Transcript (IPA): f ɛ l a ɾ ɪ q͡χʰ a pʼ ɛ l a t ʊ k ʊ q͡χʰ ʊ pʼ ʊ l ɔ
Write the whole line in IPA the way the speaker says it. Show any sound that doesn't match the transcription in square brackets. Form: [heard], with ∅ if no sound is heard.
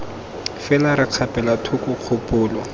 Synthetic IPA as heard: f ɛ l a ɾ ɪ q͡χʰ a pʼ ɛ l a [tʰ] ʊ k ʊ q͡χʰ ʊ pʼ [ʊː] l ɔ